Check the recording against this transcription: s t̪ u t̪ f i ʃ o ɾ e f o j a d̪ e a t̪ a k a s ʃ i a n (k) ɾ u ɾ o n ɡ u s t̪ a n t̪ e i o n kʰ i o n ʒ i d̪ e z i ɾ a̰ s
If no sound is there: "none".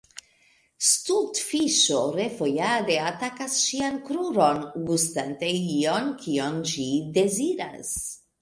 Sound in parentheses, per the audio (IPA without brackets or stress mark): k